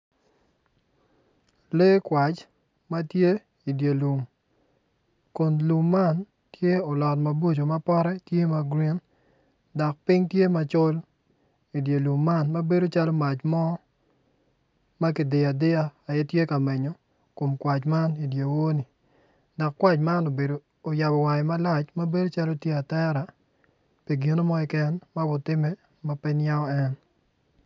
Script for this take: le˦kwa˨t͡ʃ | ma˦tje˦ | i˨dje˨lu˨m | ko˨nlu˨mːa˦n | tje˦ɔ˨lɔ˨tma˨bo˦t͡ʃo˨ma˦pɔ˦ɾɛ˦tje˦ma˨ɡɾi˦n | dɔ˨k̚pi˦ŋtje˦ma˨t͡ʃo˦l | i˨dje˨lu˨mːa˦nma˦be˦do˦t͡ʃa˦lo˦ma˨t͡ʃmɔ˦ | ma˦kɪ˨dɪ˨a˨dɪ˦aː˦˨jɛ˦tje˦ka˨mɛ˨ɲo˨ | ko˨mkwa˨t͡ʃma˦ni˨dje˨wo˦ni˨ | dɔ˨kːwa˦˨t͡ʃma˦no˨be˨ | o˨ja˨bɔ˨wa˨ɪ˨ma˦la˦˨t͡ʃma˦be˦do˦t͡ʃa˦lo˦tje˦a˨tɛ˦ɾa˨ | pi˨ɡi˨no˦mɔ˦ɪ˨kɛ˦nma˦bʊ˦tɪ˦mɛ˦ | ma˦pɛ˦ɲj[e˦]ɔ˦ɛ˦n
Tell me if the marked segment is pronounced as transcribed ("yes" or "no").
no